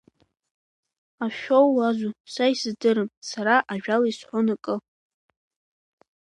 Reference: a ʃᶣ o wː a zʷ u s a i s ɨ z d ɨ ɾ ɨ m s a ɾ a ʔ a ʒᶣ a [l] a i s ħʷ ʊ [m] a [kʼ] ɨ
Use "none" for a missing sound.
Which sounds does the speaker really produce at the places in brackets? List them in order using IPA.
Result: l, n, kʼ

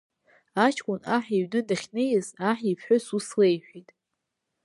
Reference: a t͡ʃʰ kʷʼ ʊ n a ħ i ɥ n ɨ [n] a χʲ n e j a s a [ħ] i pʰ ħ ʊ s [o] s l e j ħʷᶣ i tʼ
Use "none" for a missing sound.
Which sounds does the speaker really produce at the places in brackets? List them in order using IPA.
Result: d, ħ, u

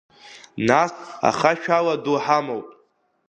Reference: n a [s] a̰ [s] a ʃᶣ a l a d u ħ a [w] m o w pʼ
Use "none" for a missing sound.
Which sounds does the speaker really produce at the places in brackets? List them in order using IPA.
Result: s, χ, none

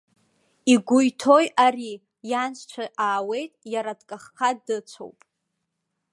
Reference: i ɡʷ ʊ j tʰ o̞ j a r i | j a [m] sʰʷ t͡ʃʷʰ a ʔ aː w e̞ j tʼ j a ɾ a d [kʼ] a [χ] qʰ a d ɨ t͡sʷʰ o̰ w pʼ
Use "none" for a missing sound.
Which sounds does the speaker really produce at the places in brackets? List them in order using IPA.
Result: n, kʼ, χ

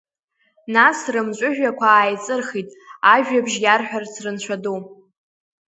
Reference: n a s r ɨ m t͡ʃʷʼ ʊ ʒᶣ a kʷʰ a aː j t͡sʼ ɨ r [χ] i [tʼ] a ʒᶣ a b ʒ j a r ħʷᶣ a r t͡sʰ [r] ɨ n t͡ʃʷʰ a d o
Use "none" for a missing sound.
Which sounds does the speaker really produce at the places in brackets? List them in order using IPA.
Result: χ, tʼ, r

